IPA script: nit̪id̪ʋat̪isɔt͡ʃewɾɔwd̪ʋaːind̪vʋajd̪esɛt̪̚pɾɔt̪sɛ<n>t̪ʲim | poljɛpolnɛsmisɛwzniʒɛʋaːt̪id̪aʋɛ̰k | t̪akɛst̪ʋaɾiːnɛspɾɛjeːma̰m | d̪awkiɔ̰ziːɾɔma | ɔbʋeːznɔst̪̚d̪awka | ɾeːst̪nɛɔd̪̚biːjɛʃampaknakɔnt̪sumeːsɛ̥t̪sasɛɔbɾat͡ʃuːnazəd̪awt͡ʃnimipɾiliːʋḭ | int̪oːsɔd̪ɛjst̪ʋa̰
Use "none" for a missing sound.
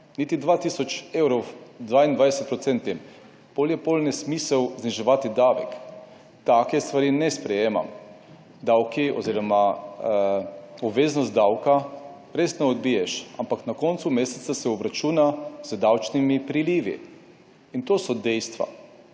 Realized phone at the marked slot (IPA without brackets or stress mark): n